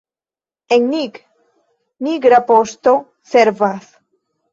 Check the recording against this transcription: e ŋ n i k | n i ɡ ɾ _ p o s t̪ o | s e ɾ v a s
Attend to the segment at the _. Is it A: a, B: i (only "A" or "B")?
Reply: A